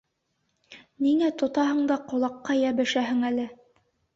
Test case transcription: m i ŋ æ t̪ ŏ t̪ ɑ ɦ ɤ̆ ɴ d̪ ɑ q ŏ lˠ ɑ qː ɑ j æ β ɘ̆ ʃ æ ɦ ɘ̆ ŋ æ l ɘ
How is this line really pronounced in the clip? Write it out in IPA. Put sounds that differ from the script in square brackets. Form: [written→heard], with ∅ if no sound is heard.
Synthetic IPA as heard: [m→n] i ŋ æ t̪ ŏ t̪ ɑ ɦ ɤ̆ ɴ d̪ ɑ q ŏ lˠ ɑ qː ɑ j æ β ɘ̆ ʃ æ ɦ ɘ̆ ŋ æ l ɘ